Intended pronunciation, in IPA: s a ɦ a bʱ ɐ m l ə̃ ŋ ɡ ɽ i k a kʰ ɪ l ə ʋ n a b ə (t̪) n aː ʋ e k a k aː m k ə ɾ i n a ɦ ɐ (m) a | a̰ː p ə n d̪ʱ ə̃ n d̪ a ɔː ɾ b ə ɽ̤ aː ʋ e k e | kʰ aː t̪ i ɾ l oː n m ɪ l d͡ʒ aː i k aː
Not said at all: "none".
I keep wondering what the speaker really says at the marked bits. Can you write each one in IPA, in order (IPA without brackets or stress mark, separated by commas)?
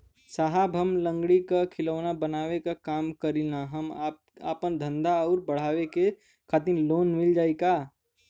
none, m